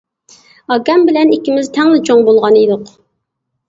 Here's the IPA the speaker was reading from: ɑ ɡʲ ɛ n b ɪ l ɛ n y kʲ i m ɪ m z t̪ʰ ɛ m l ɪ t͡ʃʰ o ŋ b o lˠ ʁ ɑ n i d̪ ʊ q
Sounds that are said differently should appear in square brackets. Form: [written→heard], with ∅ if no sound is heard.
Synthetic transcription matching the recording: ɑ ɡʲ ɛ [n→m] b ɪ l ɛ n [y→i] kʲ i m ɪ [m→∅] z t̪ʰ ɛ [m→ŋ] l ɪ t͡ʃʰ o ŋ b o lˠ ʁ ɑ n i d̪ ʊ q